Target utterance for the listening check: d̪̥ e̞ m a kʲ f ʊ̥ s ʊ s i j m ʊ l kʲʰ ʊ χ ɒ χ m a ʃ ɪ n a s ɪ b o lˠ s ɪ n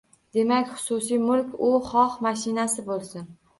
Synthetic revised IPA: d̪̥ e̞ m a kʲ χ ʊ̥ s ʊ s i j m ʊ l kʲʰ ʊ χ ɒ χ m a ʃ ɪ n a s ɪ b o lˠ s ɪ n